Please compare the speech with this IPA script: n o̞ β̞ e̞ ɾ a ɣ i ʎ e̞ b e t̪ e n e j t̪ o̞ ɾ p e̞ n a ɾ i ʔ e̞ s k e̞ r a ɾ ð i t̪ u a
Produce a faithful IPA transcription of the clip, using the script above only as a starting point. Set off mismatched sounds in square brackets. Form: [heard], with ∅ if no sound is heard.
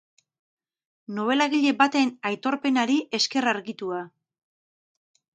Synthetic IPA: n o̞ β̞ e̞ [l] a ɣ i ʎ e̞ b [a] t̪ e n [a] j t̪ o̞ ɾ p e̞ n a ɾ i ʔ e̞ s k e̞ r a ɾ [ɣ] i t̪ u a